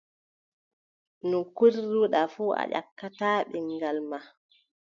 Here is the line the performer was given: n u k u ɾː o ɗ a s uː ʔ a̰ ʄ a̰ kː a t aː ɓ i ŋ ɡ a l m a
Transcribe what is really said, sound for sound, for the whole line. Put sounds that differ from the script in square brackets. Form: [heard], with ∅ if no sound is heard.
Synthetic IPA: n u k u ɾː [u] ɗ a [f] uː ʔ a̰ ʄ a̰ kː a t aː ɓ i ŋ ɡ a l m a